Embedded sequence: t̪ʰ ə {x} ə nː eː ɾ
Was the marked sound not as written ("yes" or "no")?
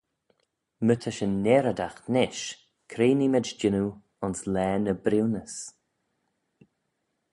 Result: yes